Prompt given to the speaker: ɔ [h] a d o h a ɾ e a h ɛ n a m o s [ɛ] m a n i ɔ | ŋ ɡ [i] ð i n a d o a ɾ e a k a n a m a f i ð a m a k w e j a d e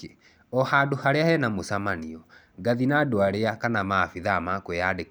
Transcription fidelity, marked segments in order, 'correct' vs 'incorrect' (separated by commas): correct, incorrect, incorrect